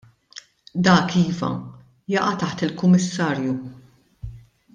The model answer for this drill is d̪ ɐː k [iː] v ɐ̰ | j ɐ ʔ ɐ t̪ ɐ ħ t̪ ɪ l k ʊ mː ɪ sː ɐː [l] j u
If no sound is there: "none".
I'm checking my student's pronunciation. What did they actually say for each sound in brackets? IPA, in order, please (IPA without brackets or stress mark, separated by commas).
iː, ɾ